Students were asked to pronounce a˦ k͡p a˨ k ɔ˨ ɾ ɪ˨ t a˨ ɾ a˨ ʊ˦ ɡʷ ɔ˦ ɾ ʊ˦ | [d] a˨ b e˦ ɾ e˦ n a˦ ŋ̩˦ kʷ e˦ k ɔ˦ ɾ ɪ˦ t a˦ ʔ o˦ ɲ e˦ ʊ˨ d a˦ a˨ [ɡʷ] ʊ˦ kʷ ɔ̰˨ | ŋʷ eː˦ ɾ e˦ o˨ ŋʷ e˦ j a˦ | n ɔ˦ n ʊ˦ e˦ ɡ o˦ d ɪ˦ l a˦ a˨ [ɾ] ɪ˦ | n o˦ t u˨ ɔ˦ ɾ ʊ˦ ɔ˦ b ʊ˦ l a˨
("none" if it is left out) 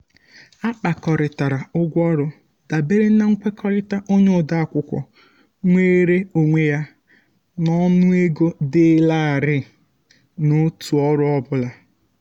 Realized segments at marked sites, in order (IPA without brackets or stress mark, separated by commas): d, kʷ, ɾ